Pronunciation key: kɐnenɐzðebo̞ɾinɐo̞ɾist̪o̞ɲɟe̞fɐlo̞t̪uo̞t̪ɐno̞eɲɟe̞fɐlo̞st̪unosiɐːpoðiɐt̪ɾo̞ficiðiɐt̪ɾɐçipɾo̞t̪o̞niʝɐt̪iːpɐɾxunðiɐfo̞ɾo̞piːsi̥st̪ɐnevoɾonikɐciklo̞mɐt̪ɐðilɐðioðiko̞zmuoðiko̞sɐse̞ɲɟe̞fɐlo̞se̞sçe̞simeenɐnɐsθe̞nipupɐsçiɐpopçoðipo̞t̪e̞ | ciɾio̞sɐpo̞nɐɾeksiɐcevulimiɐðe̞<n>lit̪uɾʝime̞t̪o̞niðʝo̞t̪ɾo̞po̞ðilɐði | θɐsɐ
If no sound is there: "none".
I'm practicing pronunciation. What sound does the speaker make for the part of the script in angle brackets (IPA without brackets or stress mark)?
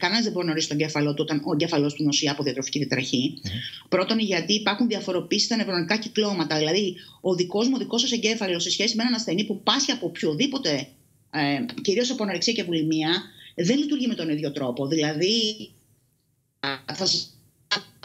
n